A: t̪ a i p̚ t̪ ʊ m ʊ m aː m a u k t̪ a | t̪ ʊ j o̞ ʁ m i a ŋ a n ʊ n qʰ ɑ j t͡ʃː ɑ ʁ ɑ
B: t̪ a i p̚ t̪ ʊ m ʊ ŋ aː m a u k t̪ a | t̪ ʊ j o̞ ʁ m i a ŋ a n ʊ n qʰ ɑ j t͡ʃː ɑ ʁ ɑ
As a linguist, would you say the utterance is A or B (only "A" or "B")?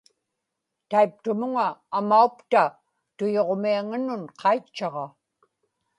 B